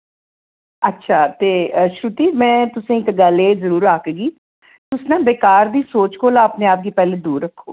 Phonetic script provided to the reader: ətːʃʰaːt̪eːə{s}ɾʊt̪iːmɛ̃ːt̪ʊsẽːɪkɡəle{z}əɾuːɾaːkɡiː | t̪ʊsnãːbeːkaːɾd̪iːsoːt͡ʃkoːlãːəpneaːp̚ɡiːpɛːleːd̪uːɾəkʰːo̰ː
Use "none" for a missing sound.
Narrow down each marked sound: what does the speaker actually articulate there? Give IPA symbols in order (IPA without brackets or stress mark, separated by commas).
ʃ, z